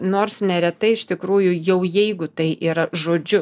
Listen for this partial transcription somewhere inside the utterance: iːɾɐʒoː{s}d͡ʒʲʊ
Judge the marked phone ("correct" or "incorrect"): incorrect